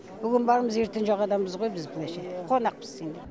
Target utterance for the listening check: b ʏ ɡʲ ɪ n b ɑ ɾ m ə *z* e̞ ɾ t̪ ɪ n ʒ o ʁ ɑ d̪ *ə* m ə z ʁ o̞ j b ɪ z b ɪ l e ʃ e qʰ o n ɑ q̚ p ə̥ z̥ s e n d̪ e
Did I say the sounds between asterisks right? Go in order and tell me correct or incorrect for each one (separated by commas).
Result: correct, incorrect